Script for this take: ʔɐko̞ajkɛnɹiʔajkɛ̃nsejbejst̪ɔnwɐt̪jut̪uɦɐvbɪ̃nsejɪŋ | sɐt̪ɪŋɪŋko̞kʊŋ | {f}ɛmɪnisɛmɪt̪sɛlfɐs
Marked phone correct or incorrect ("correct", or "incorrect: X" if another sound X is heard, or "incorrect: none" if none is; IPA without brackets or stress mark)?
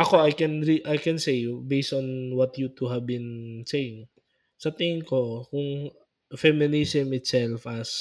correct